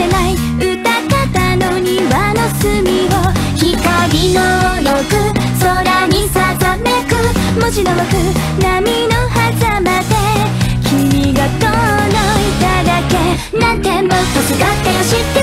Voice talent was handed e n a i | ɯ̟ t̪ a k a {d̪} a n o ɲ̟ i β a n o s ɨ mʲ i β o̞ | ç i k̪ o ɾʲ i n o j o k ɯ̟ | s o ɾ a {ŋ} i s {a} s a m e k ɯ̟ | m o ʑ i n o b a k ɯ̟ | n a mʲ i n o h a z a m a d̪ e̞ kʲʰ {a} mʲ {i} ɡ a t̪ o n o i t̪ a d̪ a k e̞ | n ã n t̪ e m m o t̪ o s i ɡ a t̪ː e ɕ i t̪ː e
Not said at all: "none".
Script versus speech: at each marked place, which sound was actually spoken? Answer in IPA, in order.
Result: t̪, ɲ, a, i, i

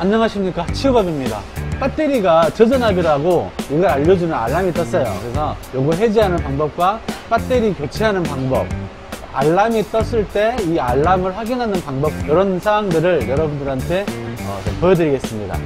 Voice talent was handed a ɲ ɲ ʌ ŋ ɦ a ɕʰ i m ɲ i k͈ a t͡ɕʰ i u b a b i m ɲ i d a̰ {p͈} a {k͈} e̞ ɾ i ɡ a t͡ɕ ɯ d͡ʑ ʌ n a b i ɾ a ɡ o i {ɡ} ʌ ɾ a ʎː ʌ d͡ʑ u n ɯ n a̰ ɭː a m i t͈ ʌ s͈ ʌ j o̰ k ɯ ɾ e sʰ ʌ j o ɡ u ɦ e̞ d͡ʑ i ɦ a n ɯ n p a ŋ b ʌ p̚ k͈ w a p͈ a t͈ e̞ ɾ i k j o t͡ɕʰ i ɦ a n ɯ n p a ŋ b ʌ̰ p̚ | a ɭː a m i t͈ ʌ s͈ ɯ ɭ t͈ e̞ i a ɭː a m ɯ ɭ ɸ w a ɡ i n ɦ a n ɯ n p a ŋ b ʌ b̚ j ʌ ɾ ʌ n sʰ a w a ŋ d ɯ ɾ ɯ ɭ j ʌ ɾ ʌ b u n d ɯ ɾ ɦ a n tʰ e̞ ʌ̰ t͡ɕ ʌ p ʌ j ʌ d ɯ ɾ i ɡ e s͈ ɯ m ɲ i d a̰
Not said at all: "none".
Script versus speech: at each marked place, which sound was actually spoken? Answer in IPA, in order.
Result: p͈, t͈, ɡ

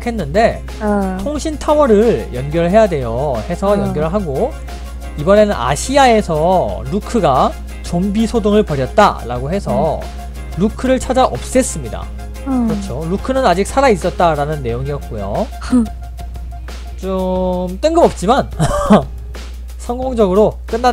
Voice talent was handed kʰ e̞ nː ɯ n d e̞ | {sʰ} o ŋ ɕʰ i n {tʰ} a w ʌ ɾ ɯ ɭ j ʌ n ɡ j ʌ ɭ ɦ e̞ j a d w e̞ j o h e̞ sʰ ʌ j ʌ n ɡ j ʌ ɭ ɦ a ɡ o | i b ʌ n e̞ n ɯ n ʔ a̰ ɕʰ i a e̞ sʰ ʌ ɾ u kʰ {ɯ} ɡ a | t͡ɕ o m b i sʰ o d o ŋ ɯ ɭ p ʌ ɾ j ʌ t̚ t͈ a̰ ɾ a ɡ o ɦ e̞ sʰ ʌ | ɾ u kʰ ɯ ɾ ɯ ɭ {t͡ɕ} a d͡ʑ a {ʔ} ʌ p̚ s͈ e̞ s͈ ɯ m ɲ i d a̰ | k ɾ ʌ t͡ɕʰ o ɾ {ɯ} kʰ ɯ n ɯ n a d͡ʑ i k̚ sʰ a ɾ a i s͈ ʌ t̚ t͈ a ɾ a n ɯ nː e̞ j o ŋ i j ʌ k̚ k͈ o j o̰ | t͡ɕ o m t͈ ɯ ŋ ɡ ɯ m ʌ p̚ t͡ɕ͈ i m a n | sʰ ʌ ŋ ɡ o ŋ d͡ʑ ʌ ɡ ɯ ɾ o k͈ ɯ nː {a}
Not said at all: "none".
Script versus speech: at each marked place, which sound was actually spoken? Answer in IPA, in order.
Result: tʰ, tʰ, ɯ, t͡ɕʰ, ʔ, u, a

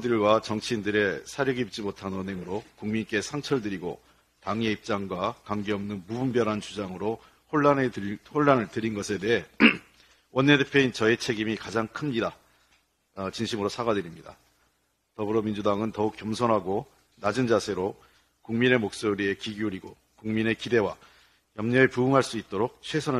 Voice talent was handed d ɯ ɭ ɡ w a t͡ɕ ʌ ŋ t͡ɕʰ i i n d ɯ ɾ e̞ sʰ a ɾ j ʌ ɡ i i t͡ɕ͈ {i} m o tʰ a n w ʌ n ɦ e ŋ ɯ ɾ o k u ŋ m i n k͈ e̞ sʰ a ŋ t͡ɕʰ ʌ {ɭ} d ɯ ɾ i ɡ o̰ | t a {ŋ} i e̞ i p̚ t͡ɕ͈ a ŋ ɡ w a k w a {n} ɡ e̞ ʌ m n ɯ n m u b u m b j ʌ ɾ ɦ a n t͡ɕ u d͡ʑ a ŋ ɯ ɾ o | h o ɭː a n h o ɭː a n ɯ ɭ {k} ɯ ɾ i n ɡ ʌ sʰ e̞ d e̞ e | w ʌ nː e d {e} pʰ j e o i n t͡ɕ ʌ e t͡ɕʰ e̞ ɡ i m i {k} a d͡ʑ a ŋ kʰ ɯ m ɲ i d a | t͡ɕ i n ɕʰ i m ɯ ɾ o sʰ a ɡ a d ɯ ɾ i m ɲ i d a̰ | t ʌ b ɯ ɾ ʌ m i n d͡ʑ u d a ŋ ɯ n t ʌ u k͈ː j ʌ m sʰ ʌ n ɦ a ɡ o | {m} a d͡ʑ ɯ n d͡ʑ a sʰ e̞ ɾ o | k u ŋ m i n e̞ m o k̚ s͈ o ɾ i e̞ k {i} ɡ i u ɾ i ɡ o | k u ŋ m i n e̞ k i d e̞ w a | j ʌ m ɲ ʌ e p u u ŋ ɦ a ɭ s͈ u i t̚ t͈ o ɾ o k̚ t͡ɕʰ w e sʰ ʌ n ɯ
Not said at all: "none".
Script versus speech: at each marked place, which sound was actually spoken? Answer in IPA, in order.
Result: i, ɭ, ŋ, ŋ, t, e, k, n, i

